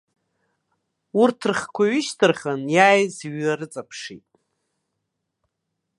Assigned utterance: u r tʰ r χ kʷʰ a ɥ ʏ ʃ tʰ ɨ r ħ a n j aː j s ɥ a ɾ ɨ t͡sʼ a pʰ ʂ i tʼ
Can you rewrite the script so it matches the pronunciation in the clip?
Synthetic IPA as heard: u r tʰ r χ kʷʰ a ɥ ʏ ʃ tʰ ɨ r χ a n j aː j z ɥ a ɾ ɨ t͡sʼ a pʰ ʂ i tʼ